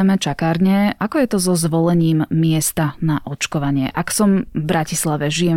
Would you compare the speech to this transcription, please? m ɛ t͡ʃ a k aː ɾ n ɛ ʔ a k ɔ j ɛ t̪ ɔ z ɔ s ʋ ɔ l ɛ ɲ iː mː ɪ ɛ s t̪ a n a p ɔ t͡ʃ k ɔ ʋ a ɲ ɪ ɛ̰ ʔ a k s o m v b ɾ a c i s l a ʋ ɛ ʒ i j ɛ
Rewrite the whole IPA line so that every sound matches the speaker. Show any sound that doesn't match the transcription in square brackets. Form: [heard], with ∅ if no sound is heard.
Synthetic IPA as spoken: m ɛ t͡ʃ a k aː ɾ [ɲ] ɛ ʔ a k ɔ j ɛ t̪ ɔ z ɔ [z] ʋ ɔ l ɛ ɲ iː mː ɪ ɛ s t̪ a n a [ʔ] ɔ t͡ʃ k ɔ ʋ a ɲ ɪ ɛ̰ ʔ a k s [ɔ] m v b ɾ a c i s l a ʋ ɛ ʒ i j ɛ